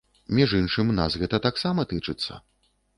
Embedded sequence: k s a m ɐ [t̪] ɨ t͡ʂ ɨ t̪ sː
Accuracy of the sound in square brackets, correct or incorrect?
correct